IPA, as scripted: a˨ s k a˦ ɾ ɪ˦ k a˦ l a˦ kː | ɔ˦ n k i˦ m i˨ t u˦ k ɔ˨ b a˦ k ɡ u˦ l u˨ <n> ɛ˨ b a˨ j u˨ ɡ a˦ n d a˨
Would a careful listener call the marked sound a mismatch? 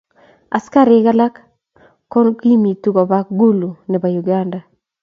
no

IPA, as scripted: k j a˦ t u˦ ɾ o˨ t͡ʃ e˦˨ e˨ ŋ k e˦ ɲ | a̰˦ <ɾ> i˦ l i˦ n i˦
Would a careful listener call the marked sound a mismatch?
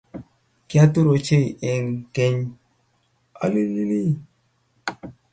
yes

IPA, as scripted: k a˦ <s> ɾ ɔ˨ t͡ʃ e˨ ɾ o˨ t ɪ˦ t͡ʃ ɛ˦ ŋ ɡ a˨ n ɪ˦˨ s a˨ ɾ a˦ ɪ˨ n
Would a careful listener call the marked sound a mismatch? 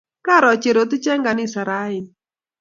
yes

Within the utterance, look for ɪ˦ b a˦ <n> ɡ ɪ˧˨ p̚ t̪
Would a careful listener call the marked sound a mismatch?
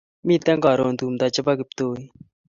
yes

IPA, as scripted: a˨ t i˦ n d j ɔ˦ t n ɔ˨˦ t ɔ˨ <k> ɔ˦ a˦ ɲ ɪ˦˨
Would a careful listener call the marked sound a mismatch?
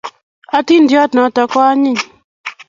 no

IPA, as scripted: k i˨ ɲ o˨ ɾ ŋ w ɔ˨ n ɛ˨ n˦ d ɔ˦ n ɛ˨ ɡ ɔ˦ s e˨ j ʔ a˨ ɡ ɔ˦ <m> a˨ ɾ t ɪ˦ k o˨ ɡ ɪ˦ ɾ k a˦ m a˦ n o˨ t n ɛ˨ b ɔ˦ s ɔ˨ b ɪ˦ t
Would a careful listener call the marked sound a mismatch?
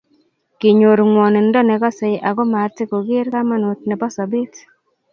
no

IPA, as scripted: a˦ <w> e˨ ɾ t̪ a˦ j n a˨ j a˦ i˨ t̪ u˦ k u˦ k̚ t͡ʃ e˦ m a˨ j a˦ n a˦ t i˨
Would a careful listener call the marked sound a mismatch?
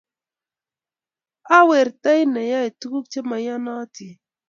no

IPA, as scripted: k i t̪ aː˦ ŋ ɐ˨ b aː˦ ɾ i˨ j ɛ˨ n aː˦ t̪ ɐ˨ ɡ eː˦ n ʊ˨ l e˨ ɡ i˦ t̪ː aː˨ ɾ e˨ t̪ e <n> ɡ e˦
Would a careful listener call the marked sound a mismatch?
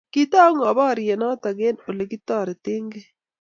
yes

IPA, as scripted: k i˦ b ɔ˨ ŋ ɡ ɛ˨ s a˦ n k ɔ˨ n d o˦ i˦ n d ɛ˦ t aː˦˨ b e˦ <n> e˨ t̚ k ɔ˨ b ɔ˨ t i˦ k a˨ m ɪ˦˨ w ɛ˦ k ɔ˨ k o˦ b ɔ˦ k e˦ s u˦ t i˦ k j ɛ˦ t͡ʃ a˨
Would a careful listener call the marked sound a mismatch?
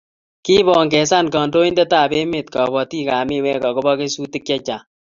yes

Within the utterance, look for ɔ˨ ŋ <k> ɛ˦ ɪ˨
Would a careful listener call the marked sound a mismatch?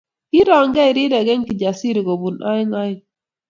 yes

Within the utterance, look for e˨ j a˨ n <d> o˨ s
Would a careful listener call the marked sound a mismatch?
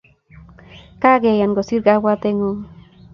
yes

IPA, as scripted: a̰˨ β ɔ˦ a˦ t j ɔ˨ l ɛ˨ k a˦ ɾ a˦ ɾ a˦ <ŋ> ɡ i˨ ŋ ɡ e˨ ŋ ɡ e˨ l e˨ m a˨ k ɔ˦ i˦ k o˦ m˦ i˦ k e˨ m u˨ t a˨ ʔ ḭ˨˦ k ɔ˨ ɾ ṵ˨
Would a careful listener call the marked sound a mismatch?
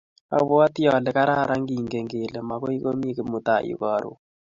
no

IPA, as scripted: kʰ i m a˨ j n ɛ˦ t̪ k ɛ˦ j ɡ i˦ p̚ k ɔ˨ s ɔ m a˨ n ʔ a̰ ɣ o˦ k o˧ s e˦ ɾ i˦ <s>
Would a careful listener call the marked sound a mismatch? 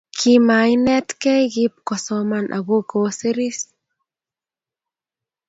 no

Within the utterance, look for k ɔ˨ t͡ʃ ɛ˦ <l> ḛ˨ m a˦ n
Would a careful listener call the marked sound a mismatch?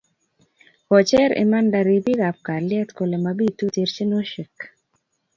yes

